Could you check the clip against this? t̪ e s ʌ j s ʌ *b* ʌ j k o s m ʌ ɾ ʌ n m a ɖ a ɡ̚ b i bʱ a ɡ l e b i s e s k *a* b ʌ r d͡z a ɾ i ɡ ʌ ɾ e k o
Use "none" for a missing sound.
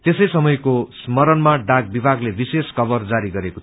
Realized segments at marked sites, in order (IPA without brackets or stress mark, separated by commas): m, ʌ